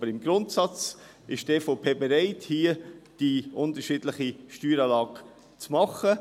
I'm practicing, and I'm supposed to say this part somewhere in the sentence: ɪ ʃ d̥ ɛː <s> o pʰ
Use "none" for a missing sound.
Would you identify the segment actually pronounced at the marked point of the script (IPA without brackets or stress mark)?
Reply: f